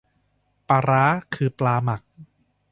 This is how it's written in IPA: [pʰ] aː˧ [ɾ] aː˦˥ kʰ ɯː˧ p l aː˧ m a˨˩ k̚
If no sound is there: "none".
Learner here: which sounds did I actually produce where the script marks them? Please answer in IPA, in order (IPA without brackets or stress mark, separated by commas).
p, ɾ